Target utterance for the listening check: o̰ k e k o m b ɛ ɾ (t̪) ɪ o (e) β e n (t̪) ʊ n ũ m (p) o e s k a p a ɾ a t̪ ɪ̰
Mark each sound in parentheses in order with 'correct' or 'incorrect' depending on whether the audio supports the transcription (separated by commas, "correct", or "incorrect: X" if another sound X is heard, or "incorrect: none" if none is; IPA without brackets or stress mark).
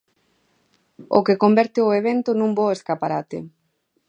correct, correct, correct, incorrect: b